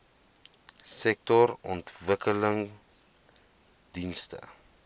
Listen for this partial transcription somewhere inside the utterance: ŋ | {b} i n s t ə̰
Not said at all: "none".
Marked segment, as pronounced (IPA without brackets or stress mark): d